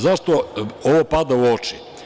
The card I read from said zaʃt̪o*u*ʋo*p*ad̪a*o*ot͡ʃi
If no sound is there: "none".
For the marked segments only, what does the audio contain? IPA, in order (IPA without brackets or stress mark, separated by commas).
o, p, u